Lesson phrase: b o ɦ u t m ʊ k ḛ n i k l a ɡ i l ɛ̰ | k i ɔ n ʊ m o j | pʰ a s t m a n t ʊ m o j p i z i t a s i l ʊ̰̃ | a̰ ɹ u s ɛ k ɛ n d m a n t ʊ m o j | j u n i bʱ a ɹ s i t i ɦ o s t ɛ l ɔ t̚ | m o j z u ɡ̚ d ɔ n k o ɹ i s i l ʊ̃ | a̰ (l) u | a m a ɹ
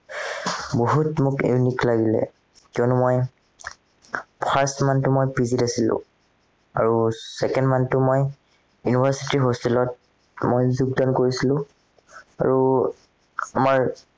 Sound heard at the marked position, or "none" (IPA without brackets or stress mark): ɹ